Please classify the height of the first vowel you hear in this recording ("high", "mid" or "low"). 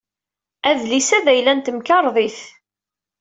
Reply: low